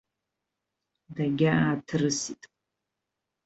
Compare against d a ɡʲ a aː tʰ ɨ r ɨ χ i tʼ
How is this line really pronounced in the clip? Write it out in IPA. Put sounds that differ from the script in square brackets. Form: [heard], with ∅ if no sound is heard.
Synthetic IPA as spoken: d a ɡʲ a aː tʰ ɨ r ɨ [s] i tʼ